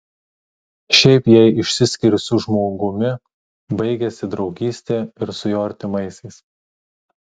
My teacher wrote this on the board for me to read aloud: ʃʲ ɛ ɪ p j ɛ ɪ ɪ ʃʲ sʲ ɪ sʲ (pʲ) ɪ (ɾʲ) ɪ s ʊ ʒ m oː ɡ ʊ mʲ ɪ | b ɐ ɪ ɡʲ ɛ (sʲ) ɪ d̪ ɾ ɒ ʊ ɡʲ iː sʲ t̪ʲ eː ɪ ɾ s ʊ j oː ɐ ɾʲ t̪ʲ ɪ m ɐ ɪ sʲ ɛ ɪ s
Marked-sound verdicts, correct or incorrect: incorrect: kʲ, correct, correct

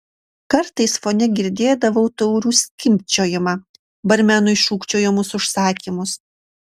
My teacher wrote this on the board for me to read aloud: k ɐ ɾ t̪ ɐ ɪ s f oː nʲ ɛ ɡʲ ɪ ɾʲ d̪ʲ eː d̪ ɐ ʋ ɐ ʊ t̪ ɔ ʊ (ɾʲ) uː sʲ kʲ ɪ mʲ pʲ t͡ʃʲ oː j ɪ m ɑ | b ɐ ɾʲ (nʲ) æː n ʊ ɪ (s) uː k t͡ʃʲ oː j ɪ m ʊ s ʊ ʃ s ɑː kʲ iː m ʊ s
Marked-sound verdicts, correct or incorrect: correct, incorrect: mʲ, incorrect: ʃ

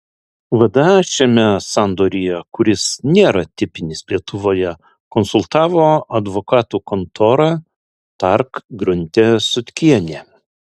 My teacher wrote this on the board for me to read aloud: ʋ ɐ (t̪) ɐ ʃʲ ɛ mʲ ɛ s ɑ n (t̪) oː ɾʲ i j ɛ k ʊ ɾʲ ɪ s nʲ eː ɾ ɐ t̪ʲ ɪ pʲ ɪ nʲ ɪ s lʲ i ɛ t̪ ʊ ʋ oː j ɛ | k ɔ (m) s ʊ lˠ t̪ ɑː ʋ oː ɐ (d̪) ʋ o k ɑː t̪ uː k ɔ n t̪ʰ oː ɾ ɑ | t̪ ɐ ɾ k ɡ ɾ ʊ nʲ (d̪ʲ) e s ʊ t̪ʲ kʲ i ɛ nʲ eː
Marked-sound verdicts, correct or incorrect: incorrect: d̪, incorrect: d̪, incorrect: n, correct, incorrect: t̪ʲ

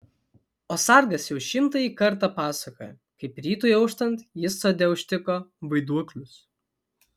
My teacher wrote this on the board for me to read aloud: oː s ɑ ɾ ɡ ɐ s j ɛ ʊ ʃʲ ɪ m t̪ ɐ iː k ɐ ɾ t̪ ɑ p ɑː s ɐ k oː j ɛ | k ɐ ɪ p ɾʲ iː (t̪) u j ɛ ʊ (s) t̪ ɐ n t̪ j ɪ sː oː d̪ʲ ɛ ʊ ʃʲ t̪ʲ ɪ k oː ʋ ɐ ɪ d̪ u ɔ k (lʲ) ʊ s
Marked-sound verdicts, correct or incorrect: correct, incorrect: ʃ, correct

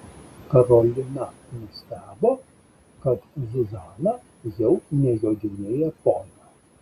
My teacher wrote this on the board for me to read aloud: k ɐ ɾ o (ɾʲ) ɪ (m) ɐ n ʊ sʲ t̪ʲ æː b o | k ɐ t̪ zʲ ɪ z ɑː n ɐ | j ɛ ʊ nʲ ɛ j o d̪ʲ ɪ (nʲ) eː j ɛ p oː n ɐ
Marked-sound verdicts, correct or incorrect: incorrect: lʲ, incorrect: n, correct

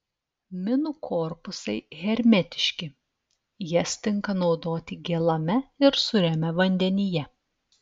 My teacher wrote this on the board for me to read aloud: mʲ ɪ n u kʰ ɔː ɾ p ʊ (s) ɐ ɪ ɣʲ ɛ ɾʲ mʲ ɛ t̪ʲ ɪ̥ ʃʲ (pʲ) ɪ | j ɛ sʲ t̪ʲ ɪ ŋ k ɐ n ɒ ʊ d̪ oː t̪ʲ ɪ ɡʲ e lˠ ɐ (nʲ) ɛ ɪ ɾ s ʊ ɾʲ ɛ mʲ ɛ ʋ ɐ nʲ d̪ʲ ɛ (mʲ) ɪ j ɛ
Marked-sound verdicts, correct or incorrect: correct, incorrect: kʲ, incorrect: mʲ, incorrect: nʲ

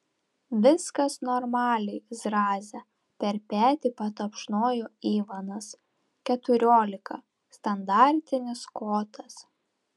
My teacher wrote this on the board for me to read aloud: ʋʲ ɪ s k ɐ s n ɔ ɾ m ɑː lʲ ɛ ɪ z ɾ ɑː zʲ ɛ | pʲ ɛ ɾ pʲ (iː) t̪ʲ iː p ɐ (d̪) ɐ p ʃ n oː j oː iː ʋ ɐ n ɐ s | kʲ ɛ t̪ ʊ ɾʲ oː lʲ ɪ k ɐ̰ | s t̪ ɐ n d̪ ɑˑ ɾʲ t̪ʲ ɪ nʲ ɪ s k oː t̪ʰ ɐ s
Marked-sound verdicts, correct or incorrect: incorrect: æː, incorrect: t̪

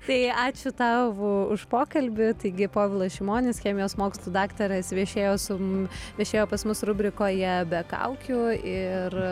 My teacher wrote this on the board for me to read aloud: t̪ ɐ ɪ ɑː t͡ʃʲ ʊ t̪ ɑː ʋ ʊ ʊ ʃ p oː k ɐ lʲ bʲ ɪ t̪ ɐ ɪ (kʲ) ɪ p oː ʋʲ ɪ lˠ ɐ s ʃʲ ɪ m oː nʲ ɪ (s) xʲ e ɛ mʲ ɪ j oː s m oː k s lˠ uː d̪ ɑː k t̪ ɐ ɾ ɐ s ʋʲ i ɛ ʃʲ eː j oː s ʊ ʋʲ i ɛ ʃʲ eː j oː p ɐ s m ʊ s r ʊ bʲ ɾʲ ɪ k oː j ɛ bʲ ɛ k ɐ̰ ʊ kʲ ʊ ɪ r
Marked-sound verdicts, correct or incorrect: incorrect: ɡʲ, correct

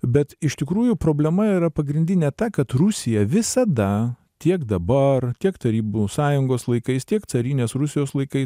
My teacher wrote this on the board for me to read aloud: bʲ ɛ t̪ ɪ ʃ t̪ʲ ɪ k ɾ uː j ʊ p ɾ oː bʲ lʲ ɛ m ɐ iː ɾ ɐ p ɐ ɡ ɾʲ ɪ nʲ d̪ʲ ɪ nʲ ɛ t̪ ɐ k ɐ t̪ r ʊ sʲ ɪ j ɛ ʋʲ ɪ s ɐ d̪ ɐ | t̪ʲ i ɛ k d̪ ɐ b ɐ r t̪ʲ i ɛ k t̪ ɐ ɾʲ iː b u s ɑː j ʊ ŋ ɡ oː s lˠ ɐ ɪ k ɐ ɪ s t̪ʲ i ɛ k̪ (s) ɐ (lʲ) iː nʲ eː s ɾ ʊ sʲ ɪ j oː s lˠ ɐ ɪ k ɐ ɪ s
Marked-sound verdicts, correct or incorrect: correct, incorrect: ɾʲ

